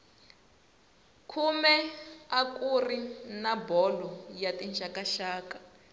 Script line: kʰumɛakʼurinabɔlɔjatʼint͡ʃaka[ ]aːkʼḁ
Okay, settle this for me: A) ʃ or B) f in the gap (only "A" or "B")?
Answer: A